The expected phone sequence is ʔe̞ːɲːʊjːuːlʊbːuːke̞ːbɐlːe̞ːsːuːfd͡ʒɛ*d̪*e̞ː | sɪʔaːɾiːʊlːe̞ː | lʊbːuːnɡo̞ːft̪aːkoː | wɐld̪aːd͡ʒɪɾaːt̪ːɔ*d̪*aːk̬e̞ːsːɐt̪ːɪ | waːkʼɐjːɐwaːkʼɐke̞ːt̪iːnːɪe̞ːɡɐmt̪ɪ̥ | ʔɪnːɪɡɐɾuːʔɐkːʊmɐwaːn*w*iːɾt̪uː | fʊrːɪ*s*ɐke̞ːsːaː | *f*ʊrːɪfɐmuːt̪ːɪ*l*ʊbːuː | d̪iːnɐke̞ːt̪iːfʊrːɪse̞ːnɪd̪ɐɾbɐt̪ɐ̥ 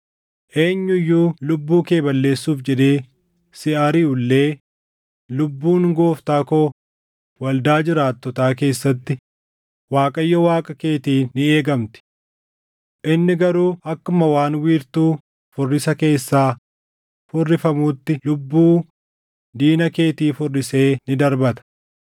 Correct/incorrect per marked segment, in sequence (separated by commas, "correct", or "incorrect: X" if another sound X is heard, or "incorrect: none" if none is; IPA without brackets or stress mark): correct, incorrect: t̪, correct, correct, correct, correct